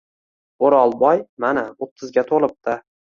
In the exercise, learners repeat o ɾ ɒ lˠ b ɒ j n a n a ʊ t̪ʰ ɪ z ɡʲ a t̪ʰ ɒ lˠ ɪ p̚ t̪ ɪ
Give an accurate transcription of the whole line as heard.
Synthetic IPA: o ɾ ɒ lˠ b ɒ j m a n a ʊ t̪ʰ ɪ z ɡʲ a t̪ʰ o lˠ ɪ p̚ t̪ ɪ